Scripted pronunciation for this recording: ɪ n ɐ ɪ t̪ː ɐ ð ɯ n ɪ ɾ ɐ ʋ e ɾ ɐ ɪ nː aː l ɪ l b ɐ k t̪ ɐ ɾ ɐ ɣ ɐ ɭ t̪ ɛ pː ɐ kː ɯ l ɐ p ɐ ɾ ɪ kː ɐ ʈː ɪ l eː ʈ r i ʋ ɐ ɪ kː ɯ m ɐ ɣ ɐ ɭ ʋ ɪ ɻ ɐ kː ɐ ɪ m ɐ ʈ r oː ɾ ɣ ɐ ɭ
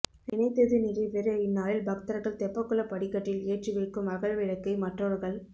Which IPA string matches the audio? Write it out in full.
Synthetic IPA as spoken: ɪ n ɐ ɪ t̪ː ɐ ð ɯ n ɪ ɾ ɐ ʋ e ɾ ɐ ɪ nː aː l ɪ l b ɐ k t̪ ɐ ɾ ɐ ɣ ɐ ɭ t̪ ɛ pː ɐ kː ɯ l ɐ p ɐ ɽ ɪ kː ɐ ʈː ɪ l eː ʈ r i ʋ ɐ ɪ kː ɯ m ɐ ɣ ɐ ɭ ʋ ɪ ɻ ɐ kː ɐ ɪ m ɐ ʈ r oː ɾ ɣ ɐ ɭ